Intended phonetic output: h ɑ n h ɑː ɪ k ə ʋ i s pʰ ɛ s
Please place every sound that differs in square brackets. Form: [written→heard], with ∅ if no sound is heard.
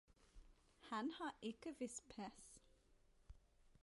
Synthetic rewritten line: h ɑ n h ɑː ɪ k ə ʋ [i→ɪ] s pʰ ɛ s